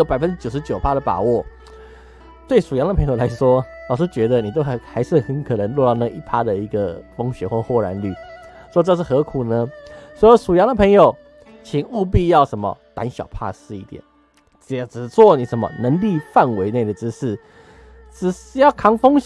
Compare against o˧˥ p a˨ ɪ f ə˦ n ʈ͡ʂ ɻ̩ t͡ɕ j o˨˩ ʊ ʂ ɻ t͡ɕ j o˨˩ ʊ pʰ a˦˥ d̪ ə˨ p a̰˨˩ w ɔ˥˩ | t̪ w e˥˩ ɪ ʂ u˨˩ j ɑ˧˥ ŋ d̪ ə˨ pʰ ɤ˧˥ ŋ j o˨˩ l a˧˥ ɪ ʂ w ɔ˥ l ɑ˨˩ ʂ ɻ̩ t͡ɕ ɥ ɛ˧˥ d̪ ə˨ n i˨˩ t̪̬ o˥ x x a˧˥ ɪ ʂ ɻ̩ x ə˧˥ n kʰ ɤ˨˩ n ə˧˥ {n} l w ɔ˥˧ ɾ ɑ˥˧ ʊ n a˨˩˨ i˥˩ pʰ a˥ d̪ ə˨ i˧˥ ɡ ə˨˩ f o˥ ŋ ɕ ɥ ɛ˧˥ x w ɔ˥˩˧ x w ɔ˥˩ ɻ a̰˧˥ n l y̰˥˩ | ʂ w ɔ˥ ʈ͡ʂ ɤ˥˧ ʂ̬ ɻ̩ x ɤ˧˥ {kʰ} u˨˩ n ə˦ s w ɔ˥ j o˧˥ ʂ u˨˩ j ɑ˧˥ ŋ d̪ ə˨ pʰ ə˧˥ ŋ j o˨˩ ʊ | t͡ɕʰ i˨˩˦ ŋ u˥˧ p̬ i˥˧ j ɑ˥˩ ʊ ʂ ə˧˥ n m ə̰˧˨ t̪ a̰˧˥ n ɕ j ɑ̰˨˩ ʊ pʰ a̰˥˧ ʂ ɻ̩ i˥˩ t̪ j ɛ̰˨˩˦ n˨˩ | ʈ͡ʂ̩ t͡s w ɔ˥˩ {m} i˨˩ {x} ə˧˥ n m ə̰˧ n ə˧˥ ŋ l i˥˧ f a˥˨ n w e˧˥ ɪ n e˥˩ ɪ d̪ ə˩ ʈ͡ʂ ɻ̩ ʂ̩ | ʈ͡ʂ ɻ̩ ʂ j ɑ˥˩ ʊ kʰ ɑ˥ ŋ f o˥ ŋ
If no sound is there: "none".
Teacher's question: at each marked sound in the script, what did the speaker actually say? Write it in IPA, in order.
ŋ, kʰ, n, ʂ

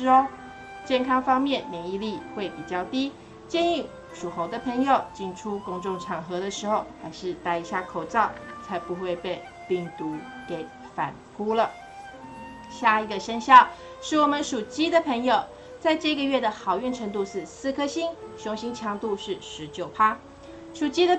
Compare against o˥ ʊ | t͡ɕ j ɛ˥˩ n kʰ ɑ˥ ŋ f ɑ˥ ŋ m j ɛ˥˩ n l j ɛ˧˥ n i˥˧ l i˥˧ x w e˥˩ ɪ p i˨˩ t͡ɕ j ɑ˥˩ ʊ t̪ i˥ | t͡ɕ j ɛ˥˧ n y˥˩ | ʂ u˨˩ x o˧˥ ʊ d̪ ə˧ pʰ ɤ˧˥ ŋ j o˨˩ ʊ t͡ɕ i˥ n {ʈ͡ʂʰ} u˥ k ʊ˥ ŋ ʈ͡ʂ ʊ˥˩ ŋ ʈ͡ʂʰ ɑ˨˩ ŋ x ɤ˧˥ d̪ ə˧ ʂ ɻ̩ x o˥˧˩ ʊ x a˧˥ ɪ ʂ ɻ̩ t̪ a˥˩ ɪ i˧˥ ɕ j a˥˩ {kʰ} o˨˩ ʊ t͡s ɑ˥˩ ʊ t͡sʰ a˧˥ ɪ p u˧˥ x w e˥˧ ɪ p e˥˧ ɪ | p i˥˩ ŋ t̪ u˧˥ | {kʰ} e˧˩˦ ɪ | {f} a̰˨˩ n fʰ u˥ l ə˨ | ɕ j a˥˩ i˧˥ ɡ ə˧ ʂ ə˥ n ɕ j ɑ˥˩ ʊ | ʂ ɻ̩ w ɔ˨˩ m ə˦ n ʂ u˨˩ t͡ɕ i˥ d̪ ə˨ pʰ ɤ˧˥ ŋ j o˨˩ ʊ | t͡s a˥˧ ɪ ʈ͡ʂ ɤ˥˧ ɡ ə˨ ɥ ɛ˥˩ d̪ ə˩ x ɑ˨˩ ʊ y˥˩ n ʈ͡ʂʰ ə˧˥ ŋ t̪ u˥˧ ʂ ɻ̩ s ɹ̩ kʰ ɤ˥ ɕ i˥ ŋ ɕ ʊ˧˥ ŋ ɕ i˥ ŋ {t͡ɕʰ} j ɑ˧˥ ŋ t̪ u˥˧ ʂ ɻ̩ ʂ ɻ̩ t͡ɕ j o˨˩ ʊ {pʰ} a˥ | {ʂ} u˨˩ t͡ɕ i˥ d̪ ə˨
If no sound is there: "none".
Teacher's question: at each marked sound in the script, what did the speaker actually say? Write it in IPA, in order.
ʈ͡ʂʰ, kʰ, k, f, t͡ɕʰ, pʰ, ʂ

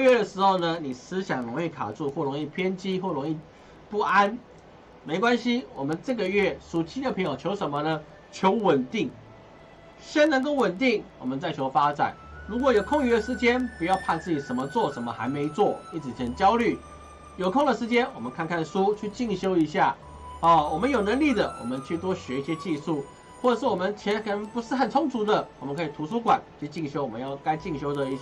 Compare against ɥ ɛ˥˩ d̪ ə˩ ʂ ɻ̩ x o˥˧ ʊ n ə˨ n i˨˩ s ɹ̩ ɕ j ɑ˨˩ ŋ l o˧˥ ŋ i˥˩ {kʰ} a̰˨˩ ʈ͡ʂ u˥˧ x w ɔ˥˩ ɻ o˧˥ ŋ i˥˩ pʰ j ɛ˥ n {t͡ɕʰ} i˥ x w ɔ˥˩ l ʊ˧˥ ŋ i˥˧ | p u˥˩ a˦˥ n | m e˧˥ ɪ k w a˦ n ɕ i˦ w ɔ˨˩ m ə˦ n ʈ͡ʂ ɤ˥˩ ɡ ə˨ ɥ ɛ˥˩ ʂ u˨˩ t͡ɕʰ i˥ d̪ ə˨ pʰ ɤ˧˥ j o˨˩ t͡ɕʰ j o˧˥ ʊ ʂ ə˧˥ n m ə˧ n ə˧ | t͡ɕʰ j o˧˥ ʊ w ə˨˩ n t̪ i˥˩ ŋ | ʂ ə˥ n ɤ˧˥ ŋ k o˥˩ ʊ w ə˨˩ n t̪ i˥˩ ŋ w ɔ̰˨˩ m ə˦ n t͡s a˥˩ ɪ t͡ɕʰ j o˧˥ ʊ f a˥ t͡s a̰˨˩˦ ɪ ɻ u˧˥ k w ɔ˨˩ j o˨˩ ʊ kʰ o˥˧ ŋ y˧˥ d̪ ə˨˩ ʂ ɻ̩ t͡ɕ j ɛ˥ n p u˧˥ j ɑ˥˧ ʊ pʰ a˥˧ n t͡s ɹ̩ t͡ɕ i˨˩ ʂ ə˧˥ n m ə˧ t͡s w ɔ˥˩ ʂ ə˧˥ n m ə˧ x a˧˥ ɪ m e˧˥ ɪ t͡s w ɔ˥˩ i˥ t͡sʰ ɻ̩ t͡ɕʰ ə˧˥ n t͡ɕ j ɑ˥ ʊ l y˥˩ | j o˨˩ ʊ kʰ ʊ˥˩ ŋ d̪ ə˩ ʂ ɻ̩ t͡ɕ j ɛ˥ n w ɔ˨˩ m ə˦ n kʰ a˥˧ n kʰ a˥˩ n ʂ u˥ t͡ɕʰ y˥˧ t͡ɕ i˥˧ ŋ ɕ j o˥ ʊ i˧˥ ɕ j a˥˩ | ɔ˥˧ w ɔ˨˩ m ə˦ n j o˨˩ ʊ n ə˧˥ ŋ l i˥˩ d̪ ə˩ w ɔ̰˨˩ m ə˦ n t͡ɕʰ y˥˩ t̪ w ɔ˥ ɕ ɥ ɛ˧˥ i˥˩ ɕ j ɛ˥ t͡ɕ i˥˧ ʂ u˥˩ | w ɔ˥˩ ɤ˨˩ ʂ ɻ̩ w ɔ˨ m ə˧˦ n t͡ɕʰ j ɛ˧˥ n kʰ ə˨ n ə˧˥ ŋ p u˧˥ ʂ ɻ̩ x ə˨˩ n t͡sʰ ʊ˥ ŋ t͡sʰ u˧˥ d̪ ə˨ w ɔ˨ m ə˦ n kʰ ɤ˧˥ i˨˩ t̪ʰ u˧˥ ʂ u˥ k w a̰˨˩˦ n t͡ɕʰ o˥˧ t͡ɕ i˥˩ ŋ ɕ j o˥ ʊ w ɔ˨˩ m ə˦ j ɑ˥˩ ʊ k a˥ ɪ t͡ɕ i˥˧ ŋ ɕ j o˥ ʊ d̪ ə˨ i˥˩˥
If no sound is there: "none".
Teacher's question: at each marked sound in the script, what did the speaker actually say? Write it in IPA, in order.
kʰ, t͡ɕ

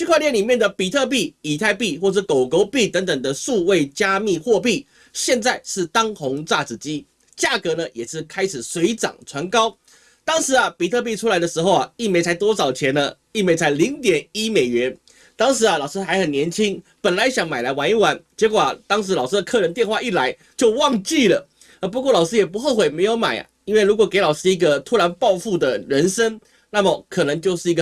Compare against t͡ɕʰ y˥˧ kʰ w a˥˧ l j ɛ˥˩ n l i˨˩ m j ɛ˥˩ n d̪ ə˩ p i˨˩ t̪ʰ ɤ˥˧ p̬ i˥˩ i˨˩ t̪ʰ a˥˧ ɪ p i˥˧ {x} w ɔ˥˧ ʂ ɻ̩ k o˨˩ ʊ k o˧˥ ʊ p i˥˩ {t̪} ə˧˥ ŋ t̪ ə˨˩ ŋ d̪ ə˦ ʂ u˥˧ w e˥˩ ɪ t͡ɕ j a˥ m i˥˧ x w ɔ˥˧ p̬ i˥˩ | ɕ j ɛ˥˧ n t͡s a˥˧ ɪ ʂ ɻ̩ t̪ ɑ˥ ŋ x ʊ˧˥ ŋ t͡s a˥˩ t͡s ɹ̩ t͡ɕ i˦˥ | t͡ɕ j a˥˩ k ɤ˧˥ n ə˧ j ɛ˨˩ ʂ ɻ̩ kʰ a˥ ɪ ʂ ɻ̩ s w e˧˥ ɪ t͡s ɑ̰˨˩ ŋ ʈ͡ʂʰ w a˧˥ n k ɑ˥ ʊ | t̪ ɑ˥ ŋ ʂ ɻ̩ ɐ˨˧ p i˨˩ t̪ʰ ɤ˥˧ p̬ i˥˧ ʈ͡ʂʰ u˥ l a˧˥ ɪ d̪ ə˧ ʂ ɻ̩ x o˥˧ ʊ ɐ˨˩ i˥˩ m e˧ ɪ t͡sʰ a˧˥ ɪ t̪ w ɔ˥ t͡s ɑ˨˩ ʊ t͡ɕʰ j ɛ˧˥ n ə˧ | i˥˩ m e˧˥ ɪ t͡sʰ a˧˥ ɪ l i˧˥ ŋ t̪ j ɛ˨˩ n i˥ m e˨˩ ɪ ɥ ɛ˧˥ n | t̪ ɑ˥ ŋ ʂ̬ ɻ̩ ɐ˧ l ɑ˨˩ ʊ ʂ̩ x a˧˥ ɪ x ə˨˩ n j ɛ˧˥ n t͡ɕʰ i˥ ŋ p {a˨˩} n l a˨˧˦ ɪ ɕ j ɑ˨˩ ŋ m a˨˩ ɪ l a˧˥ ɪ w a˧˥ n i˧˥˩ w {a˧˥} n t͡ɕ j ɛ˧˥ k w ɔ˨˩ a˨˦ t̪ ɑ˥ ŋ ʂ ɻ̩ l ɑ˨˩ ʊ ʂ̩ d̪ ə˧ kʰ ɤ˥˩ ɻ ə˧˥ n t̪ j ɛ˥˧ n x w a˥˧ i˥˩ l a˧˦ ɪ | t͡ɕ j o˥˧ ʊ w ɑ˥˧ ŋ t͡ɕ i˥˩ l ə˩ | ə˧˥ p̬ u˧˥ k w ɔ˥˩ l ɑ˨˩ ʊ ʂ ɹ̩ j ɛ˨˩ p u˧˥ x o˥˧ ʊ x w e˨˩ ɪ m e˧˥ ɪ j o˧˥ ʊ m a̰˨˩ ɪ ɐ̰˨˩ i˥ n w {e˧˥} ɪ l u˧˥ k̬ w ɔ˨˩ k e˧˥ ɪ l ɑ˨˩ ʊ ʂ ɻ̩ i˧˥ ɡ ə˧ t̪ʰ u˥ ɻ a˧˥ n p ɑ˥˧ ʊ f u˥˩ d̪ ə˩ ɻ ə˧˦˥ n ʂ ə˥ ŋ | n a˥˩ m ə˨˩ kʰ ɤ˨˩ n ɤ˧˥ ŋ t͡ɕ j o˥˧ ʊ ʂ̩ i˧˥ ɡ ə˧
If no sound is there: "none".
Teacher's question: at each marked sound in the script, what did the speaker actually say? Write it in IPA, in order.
x, t̪, ə˨˩, a˧˥, e˥˩

